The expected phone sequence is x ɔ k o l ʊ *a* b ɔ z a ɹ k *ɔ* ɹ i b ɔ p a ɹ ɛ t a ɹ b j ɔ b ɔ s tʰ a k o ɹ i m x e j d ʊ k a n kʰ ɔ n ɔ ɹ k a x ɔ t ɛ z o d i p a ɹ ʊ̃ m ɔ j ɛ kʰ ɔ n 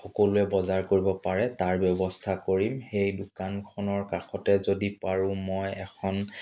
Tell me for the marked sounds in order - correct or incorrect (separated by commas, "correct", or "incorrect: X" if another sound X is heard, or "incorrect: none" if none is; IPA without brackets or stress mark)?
incorrect: ɛ, incorrect: o